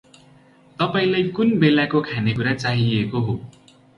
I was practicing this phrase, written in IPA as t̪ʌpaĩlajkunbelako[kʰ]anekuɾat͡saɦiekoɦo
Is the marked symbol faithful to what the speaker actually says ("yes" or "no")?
yes